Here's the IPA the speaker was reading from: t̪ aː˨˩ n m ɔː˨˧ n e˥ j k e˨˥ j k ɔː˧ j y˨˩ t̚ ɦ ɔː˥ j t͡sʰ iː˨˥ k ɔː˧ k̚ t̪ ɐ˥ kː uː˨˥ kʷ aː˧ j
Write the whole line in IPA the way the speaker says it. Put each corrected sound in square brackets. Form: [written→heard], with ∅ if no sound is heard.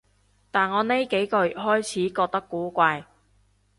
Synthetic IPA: t̪ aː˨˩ n [m→ŋ] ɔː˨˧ n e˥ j k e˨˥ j k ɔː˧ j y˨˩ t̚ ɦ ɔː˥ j t͡sʰ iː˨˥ k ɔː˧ k̚ t̪ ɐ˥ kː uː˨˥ kʷ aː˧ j